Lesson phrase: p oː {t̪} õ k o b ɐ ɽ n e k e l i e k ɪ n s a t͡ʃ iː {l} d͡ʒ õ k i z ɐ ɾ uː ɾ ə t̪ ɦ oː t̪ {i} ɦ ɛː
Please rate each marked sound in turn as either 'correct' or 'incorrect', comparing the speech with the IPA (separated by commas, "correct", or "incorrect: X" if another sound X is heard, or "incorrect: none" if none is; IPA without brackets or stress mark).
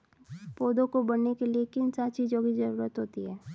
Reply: incorrect: d̪, incorrect: none, correct